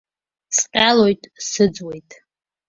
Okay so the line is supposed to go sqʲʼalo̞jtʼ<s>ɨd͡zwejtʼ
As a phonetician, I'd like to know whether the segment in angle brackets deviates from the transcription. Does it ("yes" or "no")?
no